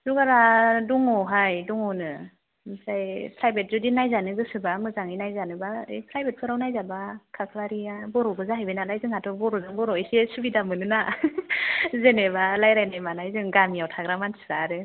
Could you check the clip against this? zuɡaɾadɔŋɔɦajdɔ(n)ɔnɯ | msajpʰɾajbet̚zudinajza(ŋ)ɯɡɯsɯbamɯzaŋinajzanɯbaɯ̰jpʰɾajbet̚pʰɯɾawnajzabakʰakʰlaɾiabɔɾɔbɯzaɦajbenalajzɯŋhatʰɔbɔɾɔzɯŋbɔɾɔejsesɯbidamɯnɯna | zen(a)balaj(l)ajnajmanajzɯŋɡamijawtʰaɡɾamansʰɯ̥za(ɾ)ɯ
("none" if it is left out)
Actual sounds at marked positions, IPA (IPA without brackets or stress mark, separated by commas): ŋ, n, e, ɾ, ɾ